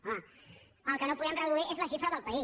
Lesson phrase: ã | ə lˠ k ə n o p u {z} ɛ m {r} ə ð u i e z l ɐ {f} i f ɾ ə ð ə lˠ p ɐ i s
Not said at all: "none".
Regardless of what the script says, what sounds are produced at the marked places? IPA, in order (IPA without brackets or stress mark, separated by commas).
ð, r, ʃ